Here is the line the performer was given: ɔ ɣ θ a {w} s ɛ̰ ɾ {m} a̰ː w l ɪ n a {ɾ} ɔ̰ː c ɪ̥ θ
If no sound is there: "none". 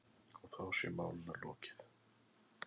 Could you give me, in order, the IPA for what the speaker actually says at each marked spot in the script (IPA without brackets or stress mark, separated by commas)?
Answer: w, m, l